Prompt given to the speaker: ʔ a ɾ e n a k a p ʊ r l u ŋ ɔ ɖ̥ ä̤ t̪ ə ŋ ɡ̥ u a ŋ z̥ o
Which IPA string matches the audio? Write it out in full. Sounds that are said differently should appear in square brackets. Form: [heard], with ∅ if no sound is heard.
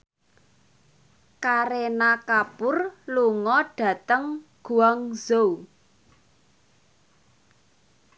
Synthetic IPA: [k] a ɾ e n a k a p ʊ r l u ŋ ɔ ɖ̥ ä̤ t̪ ə ŋ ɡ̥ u a ŋ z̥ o